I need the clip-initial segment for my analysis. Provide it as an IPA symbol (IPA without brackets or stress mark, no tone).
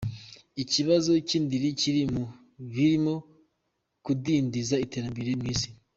i